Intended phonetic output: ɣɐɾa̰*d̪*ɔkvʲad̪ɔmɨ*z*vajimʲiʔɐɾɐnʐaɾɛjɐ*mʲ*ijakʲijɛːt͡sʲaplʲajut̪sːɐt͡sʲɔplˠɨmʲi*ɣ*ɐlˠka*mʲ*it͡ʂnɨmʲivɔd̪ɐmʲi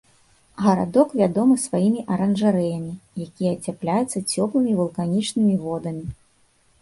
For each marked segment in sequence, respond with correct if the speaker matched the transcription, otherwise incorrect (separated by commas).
correct, incorrect, correct, incorrect, incorrect